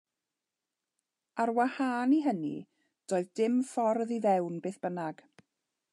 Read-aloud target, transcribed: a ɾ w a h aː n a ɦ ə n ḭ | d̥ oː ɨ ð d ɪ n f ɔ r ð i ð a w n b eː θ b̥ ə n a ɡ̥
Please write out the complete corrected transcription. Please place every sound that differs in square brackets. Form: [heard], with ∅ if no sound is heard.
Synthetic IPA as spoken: a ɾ w a h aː n [i] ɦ ə n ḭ | d̥ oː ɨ ð d ɪ [m] f ɔ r ð i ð [ɛ] w n b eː θ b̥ ə n a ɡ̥

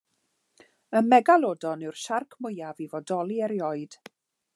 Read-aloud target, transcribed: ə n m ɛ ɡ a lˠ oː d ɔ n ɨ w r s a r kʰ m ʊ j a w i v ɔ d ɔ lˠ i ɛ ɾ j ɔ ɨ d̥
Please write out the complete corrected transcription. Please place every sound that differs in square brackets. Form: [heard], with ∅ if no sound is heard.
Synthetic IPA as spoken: ə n m ɛ ɡ a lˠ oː d ɔ n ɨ w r [ʃ] a r kʰ m ʊ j a [v] i v ɔ d ɔ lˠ i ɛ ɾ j ɔ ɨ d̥

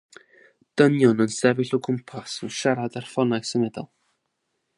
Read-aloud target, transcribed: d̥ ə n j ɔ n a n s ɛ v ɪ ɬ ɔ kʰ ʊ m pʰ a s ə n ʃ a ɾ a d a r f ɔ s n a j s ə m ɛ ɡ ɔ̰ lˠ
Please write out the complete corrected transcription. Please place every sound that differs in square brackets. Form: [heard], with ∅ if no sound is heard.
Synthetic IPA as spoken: d̥ ə n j ɔ n [ə] n s ɛ v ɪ ɬ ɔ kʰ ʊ m pʰ a s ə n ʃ a ɾ a d a r f ɔ [∅] n a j s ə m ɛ [d] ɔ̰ lˠ

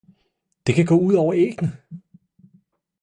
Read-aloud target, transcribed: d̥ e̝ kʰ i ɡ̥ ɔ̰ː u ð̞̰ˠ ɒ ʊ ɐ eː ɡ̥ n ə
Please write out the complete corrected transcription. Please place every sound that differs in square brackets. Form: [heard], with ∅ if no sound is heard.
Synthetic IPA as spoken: d̥ e̝ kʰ [æ] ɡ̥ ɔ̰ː u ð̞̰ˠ ɒ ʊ ɐ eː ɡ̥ n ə

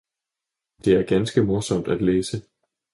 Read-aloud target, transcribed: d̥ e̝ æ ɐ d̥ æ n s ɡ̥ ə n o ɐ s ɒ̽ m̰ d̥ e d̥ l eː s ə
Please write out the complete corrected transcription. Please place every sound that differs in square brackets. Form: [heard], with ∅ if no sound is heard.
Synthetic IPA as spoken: d̥ e̝ æ ɐ [ɡ̥] æ n s ɡ̥ ə [m] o ɐ s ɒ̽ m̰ d̥ [æ] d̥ l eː s ə

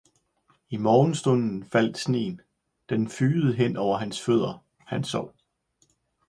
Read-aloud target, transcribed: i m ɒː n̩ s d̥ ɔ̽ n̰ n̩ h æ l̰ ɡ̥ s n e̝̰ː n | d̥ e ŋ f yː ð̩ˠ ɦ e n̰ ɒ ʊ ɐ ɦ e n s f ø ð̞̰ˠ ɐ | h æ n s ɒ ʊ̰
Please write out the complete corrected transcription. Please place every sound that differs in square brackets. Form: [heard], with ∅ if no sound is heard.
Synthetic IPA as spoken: i m ɒː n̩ s d̥ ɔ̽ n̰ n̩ [f] æ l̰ [d̥] s n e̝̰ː n | d̥ e [n] f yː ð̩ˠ ɦ e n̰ ɒ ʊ ɐ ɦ [æ] n s f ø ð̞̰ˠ ɐ | h æ n s ɒ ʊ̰

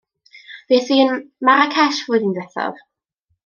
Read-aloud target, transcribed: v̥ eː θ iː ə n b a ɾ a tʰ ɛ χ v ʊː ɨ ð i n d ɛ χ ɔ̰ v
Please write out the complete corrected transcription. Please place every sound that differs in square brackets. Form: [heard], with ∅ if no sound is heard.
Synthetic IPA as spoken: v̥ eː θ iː ə n [m] a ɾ a [kʰ] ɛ [ʃ] v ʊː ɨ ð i n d ɛ [θ] ɔ̰ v

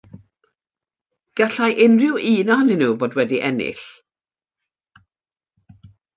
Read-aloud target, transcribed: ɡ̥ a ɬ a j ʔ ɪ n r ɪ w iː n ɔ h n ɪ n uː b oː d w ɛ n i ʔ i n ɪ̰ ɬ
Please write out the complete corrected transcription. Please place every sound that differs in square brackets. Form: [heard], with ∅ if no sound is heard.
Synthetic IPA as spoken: ɡ̥ a ɬ a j ʔ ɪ n r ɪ w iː n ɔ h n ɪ n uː b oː d w ɛ [d] i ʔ [ɛ] n ɪ̰ ɬ

